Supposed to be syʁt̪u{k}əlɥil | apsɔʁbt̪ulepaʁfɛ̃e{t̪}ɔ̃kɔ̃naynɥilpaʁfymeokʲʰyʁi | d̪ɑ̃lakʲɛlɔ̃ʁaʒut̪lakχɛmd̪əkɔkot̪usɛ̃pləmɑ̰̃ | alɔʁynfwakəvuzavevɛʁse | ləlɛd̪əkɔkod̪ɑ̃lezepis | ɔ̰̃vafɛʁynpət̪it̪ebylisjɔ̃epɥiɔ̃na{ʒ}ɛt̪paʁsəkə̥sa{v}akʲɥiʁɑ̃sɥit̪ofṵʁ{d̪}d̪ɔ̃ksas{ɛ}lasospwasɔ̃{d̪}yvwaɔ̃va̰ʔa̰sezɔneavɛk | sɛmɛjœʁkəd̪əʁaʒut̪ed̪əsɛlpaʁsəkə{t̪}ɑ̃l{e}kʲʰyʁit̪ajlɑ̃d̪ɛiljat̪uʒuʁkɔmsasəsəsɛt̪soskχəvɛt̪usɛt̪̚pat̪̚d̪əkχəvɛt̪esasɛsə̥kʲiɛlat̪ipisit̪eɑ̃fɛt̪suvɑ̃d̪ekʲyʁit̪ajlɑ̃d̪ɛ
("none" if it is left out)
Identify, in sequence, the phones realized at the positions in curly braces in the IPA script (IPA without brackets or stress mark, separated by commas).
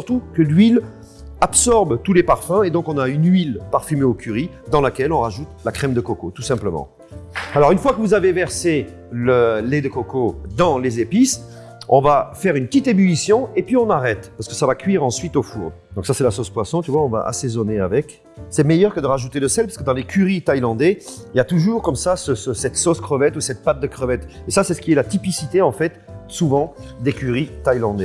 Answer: k, d̪, ʁ, v, d̪, ɛ, t̪, d̪, e